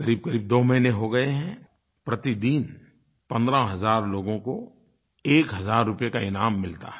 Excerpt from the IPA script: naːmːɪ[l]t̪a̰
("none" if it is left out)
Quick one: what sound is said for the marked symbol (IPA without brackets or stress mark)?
l